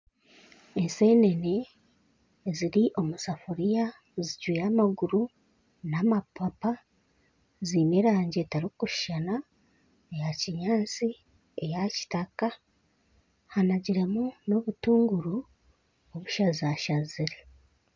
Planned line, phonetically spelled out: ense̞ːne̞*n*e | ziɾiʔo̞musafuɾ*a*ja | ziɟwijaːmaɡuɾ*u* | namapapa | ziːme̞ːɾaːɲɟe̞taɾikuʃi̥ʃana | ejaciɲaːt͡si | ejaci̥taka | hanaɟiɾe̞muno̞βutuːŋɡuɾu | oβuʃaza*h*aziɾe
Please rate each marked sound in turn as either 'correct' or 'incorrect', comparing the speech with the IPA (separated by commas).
correct, incorrect, correct, incorrect